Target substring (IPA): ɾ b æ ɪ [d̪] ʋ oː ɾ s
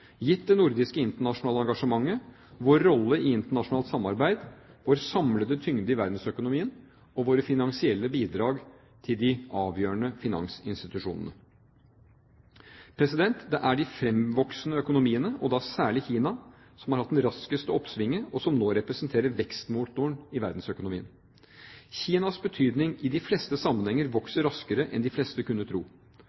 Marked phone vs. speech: correct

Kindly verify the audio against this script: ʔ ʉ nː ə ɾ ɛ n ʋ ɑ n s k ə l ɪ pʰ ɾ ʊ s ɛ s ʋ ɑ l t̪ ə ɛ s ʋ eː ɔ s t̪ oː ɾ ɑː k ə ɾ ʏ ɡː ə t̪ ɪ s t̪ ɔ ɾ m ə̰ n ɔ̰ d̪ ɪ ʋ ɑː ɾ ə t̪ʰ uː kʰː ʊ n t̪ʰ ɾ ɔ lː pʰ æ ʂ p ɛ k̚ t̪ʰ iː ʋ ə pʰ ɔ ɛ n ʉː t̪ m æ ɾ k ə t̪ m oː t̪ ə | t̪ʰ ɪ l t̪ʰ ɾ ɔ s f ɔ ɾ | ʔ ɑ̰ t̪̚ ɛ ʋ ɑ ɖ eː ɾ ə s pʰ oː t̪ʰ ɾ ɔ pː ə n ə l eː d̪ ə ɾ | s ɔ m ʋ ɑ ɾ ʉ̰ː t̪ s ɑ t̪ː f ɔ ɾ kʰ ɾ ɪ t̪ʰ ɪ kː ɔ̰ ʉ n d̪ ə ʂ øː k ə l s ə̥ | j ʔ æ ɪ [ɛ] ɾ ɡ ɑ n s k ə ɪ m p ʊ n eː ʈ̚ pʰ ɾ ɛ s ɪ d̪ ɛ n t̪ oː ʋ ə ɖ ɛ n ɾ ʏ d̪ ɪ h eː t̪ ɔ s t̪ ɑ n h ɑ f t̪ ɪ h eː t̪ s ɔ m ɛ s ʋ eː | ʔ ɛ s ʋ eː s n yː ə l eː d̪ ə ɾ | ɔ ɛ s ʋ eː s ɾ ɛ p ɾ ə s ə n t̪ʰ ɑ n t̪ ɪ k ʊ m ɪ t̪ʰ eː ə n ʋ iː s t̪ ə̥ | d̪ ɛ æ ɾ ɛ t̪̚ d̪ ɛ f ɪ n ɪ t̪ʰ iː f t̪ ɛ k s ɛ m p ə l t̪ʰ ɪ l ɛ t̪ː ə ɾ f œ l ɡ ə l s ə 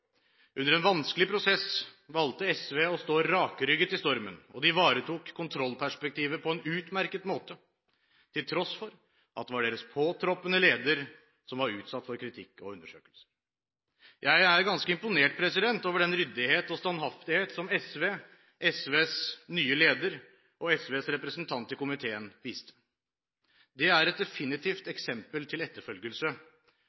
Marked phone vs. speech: incorrect: æ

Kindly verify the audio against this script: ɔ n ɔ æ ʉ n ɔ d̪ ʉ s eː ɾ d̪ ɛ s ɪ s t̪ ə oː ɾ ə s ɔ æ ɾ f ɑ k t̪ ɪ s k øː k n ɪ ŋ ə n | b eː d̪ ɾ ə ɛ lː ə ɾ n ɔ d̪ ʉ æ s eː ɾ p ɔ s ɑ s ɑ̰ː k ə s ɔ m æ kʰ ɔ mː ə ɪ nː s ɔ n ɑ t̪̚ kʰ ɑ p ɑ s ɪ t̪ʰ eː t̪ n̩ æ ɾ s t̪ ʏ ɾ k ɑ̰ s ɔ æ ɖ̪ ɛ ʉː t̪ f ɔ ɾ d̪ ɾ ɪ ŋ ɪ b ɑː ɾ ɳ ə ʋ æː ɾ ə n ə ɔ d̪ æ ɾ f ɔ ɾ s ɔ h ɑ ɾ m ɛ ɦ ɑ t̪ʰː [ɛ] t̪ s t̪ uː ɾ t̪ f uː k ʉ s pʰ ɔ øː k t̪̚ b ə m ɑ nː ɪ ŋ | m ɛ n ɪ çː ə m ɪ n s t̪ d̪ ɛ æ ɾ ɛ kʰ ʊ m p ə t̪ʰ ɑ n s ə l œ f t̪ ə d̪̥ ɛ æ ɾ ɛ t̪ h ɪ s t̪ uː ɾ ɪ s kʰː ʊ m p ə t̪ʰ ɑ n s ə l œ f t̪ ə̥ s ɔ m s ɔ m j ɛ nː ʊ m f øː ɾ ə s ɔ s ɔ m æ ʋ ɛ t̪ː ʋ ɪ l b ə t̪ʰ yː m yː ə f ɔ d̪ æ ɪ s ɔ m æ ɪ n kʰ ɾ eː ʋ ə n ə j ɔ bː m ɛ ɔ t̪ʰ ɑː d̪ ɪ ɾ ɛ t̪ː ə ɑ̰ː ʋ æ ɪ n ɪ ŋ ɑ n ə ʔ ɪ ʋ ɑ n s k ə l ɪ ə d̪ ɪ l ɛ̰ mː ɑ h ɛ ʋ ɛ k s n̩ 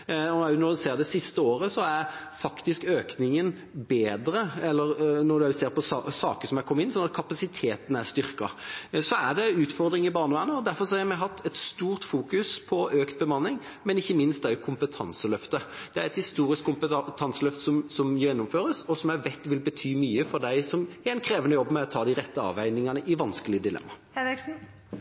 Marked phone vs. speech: correct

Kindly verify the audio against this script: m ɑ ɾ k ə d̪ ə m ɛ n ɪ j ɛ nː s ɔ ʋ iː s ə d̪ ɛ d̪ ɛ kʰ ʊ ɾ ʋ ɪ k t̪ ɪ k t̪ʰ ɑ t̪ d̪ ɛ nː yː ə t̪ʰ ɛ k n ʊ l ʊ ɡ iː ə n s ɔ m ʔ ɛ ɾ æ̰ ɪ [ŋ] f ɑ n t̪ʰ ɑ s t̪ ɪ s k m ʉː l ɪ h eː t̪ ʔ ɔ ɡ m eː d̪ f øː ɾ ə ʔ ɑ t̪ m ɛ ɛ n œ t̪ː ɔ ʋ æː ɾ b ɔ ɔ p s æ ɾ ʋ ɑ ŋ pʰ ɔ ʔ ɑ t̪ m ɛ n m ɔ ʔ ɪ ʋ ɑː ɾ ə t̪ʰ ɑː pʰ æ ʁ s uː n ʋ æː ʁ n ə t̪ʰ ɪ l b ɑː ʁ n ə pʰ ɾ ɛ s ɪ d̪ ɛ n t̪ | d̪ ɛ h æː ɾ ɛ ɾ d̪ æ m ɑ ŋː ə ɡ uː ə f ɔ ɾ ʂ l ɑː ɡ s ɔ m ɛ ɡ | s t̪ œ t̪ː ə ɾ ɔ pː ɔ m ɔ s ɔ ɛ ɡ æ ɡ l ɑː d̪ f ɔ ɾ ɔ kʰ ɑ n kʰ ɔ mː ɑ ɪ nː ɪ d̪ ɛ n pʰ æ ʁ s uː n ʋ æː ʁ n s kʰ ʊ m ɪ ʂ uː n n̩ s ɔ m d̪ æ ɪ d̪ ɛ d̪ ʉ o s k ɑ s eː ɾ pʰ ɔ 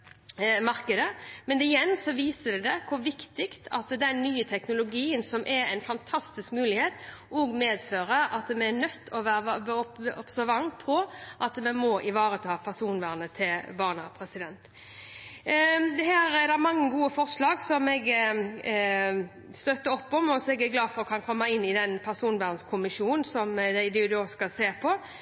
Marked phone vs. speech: incorrect: n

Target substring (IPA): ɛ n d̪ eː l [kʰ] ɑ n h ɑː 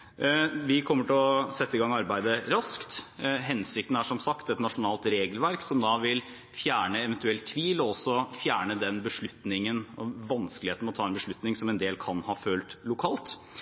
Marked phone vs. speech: correct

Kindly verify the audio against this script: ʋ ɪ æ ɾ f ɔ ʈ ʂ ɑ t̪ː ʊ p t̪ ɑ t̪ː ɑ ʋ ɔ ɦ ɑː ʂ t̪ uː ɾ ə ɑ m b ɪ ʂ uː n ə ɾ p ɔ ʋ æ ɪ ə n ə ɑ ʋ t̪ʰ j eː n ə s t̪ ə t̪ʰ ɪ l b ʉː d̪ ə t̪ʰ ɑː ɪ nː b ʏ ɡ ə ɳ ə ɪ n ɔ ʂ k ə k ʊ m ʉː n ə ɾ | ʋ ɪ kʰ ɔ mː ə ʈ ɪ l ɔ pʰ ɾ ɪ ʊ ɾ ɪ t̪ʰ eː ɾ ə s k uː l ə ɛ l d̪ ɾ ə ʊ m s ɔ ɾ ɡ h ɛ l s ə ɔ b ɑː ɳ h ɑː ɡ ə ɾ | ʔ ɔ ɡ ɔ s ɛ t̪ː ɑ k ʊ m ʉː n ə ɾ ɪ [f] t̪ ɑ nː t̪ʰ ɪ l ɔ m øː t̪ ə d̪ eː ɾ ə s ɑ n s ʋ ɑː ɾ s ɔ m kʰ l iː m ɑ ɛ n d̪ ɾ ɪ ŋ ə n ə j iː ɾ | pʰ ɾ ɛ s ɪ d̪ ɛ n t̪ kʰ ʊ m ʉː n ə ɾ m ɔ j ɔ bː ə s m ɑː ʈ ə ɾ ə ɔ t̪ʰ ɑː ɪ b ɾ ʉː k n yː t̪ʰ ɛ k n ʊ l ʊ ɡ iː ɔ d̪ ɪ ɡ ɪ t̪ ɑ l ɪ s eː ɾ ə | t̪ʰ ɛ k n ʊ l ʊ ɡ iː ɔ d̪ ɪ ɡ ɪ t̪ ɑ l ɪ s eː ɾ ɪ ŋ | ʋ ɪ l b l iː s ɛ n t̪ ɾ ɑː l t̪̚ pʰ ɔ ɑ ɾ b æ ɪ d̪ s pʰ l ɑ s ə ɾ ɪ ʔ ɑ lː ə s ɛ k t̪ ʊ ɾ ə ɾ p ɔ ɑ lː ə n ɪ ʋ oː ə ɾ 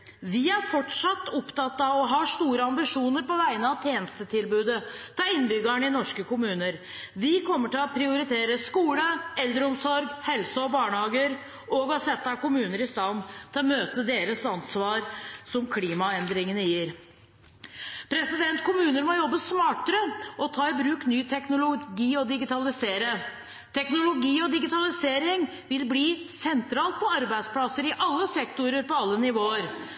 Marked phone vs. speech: incorrect: s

